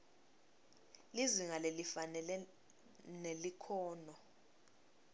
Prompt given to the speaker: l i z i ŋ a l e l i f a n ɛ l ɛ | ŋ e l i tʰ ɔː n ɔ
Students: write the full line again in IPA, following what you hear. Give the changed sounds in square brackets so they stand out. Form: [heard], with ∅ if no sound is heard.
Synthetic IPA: l i z i ŋ a l e l i f a n ɛ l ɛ | [n] e l i [kʰ] ɔː n ɔ